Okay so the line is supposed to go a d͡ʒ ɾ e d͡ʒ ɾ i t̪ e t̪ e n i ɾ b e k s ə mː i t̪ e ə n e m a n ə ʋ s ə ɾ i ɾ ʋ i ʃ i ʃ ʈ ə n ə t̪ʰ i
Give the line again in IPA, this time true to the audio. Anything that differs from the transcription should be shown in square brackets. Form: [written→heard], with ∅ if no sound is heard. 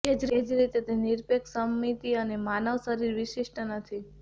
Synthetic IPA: [a→e] d͡ʒ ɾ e d͡ʒ ɾ i t̪ e t̪ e n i ɾ [b→p] e k s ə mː i t̪ [e→i] ə n e m a n ə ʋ s ə ɾ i ɾ ʋ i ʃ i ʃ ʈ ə n ə t̪ʰ i